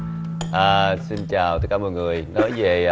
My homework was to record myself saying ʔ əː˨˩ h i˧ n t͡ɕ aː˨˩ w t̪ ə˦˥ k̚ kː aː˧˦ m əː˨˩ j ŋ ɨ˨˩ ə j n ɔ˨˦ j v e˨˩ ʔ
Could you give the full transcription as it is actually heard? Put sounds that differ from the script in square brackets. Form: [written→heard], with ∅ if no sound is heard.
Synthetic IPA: ʔ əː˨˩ [h→s] i˧ n t͡ɕ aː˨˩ w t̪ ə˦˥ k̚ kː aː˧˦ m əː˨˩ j ŋ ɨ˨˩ ə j n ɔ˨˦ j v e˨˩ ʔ